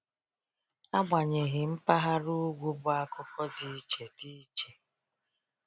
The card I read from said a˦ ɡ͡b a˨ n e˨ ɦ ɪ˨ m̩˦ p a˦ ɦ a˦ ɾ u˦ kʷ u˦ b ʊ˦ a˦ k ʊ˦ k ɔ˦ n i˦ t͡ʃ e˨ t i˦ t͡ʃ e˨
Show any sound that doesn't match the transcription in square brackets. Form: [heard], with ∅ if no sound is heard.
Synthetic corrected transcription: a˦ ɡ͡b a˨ [ɲ] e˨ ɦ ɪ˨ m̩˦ p a˦ ɦ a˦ ɾ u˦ [ɡʷ] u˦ b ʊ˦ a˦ k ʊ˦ k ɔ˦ [d] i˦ t͡ʃ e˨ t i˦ t͡ʃ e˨